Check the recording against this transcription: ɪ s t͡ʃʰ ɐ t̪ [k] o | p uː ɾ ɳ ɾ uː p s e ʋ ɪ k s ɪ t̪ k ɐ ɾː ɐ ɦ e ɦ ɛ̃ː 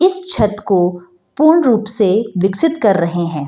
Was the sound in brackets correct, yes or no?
yes